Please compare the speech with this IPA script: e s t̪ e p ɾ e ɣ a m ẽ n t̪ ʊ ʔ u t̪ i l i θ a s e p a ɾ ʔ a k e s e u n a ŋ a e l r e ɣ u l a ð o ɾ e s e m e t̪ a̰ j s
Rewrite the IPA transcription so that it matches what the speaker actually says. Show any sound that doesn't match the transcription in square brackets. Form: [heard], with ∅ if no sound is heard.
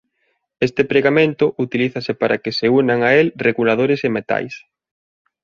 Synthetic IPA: e s t̪ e p ɾ e ɣ a m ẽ n t̪ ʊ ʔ u t̪ i l i θ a s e p a ɾ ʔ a k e s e u n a ŋ a e l r e ɣ u l a ð o ɾ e s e m e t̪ a̰ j s